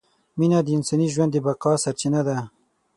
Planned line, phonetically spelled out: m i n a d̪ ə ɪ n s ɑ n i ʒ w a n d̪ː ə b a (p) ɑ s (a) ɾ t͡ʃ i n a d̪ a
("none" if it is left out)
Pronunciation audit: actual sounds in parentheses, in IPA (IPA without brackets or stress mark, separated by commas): q, a